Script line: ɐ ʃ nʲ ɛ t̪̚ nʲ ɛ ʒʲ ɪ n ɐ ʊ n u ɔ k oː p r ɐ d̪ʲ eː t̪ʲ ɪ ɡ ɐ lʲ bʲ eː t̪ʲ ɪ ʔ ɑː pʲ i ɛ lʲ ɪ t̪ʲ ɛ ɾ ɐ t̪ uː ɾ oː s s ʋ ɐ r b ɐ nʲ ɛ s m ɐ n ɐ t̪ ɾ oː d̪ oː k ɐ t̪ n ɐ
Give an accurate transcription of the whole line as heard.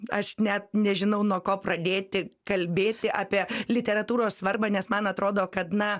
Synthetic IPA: ɐ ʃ nʲ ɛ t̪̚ nʲ ɛ ʒʲ ɪ n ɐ ʊ n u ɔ k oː p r ɐ d̪ʲ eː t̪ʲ ɪ k ɐ lʲ bʲ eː t̪ʲ ɪ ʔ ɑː pʲ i ɛ lʲ ɪ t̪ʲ ɛ ɾ ɐ t̪ uː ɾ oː s s ʋ ɐ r b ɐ nʲ ɛ s m ɐ n ɐ t̪ ɾ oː d̪ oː k ɐ t̪ n ɐ

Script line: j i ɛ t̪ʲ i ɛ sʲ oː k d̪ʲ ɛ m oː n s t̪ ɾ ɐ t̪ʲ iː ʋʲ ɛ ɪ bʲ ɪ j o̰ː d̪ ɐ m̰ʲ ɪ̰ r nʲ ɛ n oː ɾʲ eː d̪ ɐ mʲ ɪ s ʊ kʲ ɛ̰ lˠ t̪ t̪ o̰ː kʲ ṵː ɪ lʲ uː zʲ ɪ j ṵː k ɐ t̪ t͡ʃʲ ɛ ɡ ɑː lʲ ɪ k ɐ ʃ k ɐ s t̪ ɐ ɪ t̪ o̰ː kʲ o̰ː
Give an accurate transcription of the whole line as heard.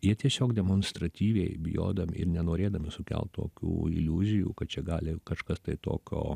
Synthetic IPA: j i ɛ t̪ʲ i ɛ sʲ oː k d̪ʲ ɛ m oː n s t̪ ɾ ɐ t̪ʲ iː ʋʲ ɛ ɪ bʲ ɪ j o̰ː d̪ ɐ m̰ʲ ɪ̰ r nʲ ɛ n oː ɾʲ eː d̪ ɐ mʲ ɪ s ʊ kʲ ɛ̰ lˠ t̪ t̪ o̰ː kʲ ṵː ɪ lʲ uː zʲ ɪ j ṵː k ɐ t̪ t͡ʃʲ ɛ ɡ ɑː lʲ ɪ k ɐ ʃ k ɐ s t̪ ɐ ɪ t̪ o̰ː kʲ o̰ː

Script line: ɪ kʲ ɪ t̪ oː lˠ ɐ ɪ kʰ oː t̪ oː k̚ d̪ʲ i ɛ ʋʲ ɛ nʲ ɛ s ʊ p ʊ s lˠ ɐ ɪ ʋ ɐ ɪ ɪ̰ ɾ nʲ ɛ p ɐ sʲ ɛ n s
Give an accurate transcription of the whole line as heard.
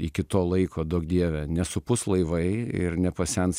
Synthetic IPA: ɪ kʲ ɪ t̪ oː lˠ ɐ ɪ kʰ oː d̪ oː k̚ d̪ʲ i ɛ ʋʲ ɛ nʲ ɛ s ʊ p ʊ s lˠ ɐ ɪ ʋ ɐ ɪ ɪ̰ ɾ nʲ ɛ p ɐ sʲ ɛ n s

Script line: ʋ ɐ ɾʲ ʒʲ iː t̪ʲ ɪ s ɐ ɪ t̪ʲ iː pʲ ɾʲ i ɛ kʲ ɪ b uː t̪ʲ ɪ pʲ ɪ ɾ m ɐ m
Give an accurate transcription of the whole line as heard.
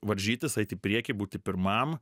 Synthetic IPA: ʋ ɐ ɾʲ ʒʲ iː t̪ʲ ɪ s ɐ ɪ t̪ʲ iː pʲ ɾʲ i ɛ kʲ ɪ b uː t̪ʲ ɪ pʲ ɪ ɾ m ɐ m

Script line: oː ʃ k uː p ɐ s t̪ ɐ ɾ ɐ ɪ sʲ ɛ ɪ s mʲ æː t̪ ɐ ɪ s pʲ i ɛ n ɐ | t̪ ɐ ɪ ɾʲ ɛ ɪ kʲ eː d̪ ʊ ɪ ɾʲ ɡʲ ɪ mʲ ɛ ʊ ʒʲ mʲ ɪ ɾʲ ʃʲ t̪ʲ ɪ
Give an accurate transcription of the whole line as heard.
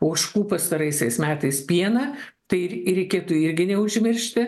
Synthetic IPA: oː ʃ k uː p ɐ s t̪ ɐ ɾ ɐ ɪ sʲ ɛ ɪ s mʲ æː t̪ ɐ ɪ s pʲ i ɛ n ɐ | t̪ ɐ ɪ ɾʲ ɛ ɪ kʲ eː t̪ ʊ ɪ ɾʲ ɡʲ ɪ nʲ ɛ ʊ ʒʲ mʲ ɪ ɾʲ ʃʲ t̪ʲ ɪ

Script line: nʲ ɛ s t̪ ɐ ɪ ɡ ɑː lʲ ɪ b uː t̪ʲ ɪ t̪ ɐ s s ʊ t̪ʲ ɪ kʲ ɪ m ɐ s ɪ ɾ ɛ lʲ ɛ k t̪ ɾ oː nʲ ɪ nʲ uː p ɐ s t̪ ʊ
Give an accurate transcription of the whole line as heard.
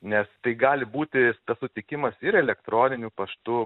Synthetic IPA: nʲ ɛ s t̪ ɐ ɪ ɡ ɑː lʲ ɪ b uː t̪ʲ ɪ t̪ ɐ s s ʊ t̪ʲ ɪ kʲ ɪ m ɐ s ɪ ɾ ɛ lʲ ɛ k t̪ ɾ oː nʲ ɪ nʲ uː p ɐ ʃ t̪ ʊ

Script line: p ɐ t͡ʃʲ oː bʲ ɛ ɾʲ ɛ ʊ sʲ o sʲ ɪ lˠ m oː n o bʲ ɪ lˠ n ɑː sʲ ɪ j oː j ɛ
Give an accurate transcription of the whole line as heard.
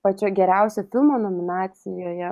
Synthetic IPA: p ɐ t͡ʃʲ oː ɡʲ ɛ ɾʲ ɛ ʊ sʲ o fʲ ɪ lˠ m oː n o mʲ ɪ n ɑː sʲ ɪ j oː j ɛ

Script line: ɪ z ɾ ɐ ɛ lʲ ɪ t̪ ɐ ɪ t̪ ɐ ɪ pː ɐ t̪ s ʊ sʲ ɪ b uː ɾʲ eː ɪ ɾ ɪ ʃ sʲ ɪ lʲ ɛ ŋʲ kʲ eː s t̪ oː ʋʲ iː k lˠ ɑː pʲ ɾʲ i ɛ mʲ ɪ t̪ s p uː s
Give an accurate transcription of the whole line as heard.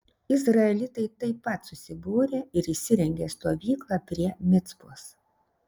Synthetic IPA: ɪ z ɾ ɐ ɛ lʲ ɪ t̪ ɐ ɪ t̪ ɐ ɪ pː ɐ t̪ s ʊ sʲ ɪ b uː ɾʲ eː ɪ ɾ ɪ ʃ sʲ ɪ ɾʲ ɛ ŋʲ ɡʲ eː s t̪ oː ʋʲ iː k lˠ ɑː pʲ ɾʲ i ɛ mʲ ɪ t̪ s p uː s

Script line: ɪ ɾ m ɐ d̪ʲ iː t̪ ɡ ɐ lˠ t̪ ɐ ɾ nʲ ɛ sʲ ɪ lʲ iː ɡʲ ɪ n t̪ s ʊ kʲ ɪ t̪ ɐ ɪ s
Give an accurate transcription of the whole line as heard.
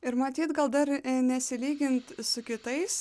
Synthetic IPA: ɪ ɾ m ɐ t̪ʲ iː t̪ ɡ ɐ lˠ d̪ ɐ ɾ nʲ ɛ sʲ ɪ lʲ iː ɡʲ ɪ n t̪ s ʊ kʲ ɪ t̪ ɐ ɪ s

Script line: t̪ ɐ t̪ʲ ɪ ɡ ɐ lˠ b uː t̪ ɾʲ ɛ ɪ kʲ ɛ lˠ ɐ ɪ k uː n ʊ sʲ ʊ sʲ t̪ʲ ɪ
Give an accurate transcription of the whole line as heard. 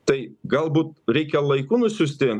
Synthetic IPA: t̪ ɐ ɪ ɡ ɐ lˠ b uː t̪ ɾʲ ɛ ɪ kʲ ɛ lˠ ɐ ɪ k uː n ʊ sʲ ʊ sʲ t̪ʲ ɪ

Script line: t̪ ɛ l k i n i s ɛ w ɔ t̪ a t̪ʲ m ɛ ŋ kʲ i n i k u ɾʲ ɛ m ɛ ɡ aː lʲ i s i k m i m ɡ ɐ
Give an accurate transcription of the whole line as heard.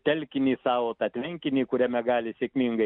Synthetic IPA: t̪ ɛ l k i n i s a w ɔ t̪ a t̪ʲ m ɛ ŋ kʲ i n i k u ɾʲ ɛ m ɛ ɡ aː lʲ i s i k m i ŋ ɡ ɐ

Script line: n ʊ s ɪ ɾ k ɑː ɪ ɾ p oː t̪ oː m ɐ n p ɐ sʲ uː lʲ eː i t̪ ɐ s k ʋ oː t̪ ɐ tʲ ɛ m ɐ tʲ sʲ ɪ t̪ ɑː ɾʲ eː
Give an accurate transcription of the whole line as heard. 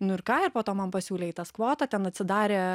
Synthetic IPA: n ʊ ɪ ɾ k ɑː ɪ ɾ p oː t̪ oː m ɐ n p ɐ sʲ uː lʲ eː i t̪ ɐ s k ʋ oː t̪ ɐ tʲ ɛ n ɐ tʲ sʲ ɪ d̪ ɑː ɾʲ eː

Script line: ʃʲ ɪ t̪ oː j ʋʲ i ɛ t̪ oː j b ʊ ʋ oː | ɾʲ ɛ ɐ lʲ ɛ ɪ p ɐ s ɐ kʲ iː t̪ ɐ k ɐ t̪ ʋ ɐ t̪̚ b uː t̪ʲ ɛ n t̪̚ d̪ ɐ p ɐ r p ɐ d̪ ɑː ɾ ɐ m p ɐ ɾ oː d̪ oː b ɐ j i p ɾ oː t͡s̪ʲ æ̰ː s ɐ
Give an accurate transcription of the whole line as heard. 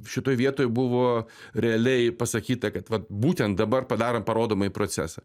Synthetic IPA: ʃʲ ɪ t̪ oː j ʋʲ i ɛ t̪ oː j b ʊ ʋ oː | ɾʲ ɛ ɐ lʲ ɛ ɪ p ɐ s ɐ kʲ iː t̪ ɐ k ɐ t̪ ʋ ɐ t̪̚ b uː t̪ʲ ɛ n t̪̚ d̪ ɐ b ɐ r p ɐ d̪ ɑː ɾ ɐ m p ɐ ɾ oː d̪ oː m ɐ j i p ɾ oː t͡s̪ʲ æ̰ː s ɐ

